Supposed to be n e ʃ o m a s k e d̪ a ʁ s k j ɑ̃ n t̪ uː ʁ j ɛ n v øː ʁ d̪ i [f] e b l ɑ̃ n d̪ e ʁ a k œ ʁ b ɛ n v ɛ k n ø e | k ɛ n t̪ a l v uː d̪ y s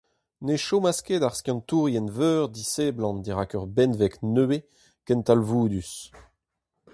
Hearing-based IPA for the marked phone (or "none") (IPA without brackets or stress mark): s